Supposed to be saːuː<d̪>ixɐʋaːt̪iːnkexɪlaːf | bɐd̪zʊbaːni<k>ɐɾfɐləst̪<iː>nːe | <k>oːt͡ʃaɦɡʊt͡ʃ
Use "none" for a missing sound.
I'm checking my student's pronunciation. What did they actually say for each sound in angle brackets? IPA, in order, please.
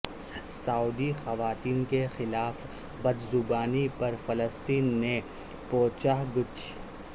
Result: d̪, p, iː, p

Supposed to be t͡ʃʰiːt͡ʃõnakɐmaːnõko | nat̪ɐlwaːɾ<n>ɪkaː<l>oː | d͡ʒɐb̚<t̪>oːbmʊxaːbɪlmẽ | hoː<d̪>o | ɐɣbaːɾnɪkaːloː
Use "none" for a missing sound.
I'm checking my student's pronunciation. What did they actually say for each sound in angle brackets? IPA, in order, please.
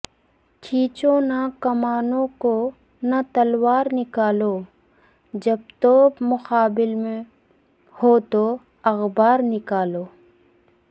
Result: n, l, t̪, t̪

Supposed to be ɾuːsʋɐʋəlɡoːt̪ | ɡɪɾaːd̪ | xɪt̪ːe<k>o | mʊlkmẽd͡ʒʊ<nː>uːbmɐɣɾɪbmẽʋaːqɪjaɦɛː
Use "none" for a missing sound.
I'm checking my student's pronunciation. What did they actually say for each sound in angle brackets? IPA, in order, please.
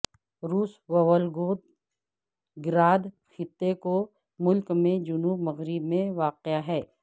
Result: k, n

